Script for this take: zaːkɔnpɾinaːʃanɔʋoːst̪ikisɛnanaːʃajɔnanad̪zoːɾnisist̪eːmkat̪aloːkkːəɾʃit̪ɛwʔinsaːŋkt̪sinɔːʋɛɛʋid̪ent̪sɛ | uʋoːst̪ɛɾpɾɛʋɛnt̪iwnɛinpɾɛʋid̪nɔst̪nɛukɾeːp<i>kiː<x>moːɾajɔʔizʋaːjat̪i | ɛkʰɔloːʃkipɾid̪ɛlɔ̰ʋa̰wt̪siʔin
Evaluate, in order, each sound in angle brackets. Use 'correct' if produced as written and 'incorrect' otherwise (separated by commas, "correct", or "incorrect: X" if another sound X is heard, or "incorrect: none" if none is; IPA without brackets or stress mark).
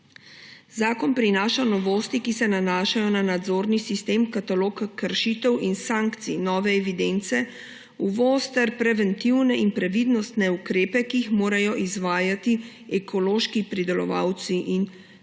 incorrect: ɛ, correct